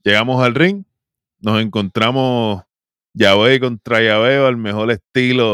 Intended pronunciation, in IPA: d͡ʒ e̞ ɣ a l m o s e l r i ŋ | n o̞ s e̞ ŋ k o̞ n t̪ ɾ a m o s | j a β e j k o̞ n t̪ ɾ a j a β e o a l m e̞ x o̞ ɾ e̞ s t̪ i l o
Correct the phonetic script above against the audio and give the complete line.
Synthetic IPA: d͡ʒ e̞ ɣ a m o s a l r i ŋ | n o̞ s e̞ ŋ k o̞ n t̪ ɾ a m o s | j a β e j k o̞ n t̪ ɾ a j a β e o a l m e̞ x o̞ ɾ e̞ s t̪ i l o